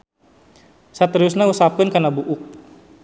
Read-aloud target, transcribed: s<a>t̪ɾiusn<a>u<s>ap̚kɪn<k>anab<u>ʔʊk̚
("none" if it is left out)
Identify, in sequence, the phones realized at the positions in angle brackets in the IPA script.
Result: a, a, s, k, u

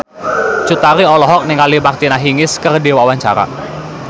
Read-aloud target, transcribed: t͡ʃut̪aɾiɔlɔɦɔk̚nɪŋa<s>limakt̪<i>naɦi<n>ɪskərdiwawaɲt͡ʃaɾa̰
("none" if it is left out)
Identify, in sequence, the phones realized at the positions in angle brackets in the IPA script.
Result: none, i, ŋ

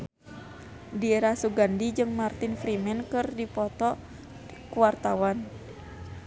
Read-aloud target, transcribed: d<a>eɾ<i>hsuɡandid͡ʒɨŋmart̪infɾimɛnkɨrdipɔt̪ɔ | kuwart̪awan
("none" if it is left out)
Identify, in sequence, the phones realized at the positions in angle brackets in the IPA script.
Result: i, a

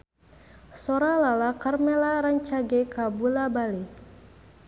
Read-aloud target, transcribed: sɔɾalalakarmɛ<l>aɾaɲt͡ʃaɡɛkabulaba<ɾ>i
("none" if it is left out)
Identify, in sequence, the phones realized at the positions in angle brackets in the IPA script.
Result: l, l

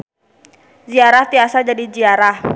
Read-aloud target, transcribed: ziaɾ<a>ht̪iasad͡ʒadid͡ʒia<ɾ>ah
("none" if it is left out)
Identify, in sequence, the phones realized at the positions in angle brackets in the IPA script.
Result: a, ɾ

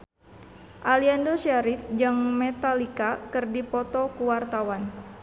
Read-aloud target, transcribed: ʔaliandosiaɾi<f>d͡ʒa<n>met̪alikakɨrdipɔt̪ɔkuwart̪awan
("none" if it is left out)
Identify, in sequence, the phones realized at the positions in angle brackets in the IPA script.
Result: f, ŋ

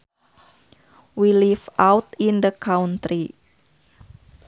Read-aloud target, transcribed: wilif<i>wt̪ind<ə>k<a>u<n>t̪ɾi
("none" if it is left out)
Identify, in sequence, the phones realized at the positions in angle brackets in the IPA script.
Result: a, ə, a, n

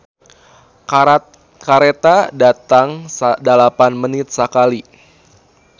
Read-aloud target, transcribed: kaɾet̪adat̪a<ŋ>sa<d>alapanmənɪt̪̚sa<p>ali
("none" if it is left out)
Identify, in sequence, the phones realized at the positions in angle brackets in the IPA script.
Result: ŋ, d, k

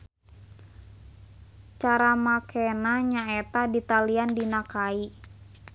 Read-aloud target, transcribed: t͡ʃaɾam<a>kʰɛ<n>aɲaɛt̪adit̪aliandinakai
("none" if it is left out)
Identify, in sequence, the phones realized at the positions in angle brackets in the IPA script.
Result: a, n

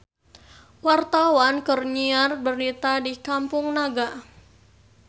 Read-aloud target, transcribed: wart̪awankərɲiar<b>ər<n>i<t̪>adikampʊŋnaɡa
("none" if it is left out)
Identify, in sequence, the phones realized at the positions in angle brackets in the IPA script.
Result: b, n, t̪

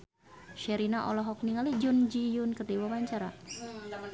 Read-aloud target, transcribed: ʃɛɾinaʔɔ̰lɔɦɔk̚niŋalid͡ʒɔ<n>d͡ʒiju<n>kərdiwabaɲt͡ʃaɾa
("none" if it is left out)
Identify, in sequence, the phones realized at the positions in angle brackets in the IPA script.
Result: n, n

